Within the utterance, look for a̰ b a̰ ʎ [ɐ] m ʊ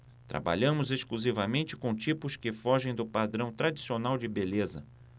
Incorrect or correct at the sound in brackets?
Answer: incorrect: ɐ̃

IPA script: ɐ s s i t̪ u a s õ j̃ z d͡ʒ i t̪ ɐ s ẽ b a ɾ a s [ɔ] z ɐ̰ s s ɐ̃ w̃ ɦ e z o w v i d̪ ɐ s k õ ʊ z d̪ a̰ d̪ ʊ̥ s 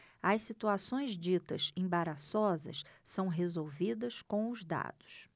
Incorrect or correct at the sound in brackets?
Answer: correct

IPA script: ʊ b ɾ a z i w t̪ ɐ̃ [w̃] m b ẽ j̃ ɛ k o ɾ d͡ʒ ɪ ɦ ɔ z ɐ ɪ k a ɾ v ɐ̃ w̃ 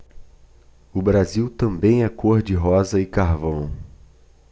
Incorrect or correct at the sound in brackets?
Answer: incorrect: none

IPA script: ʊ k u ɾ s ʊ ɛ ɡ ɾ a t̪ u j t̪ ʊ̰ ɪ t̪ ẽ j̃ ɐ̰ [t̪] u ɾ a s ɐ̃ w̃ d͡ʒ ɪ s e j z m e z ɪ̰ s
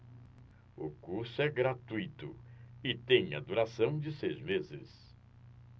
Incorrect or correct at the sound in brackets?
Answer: incorrect: d̪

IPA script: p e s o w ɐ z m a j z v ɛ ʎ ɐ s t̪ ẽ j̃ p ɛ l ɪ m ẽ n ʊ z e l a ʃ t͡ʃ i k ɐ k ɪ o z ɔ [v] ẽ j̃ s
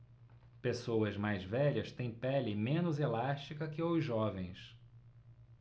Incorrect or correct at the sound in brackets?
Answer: correct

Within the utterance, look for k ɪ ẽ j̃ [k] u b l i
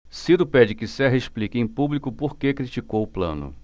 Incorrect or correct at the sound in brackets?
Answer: incorrect: p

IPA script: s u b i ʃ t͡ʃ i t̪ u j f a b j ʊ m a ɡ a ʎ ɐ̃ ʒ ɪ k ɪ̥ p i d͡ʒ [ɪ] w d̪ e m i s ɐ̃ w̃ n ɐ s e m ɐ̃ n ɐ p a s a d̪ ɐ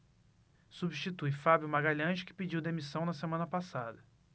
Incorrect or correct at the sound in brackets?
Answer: incorrect: i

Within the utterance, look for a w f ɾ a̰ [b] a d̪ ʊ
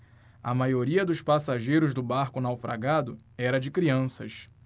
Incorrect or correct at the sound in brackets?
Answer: incorrect: ɡ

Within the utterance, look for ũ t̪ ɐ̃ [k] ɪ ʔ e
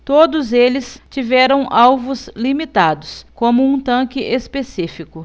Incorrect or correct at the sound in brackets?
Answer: correct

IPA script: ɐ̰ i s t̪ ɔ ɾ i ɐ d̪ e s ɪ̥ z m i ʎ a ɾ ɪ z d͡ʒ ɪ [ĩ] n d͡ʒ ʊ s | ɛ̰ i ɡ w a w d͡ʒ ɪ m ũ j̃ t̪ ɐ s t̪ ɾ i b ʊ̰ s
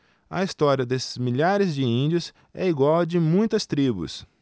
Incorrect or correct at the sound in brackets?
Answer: correct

